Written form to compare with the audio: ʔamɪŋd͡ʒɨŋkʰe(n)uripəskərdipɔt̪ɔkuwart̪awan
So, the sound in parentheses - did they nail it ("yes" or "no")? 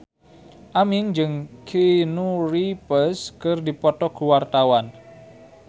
yes